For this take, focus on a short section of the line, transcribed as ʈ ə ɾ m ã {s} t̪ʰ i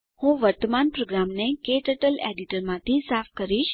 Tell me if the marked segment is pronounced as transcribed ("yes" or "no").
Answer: no